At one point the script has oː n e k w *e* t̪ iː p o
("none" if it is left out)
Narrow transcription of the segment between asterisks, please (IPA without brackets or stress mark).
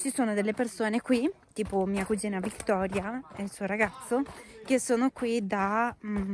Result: i